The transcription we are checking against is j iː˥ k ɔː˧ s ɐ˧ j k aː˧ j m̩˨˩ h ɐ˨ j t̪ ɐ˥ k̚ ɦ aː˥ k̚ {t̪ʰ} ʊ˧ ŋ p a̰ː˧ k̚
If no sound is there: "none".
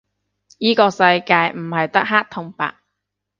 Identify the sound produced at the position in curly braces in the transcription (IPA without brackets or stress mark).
t̪ʰ